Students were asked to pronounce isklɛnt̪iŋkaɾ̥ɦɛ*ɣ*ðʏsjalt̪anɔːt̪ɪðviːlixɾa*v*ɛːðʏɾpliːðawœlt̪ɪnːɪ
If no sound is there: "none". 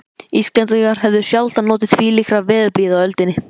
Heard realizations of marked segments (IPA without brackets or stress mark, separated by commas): v, v